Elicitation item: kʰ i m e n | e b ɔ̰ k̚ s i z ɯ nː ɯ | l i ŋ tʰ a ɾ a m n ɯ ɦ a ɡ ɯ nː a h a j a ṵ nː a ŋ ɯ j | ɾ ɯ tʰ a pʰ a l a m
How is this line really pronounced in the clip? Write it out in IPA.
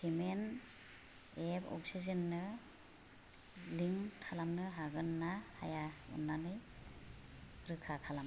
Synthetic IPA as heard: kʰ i m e n | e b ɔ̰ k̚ s i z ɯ nː ɯ | l i ŋ tʰ a l a m n ɯ ɦ a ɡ ɯ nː a h a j a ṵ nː a n ɯ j | ɾ ɯ kʰ a kʰ a l a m